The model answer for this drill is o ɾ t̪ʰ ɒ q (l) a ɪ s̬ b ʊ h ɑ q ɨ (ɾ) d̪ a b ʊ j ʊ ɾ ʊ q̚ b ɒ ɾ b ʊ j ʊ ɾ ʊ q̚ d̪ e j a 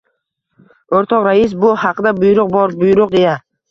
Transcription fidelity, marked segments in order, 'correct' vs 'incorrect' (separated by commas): incorrect, incorrect